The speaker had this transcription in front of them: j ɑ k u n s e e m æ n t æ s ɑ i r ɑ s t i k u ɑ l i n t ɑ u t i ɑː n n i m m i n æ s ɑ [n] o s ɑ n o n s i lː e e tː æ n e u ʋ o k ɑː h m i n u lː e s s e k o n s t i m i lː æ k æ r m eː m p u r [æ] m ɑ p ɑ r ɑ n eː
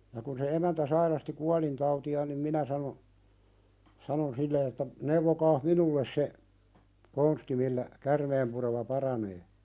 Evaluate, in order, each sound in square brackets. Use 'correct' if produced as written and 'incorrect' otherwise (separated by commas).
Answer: correct, incorrect